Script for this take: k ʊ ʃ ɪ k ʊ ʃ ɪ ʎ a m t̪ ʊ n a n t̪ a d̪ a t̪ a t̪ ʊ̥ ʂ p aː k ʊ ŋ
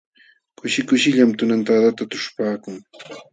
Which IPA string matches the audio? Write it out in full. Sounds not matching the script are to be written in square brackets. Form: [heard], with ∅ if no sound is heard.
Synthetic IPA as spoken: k ʊ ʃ ɪ k ʊ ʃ ɪ ʎ a m t̪ ʊ n a n t̪ a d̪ a t̪ a t̪ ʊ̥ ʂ p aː k ʊ ŋ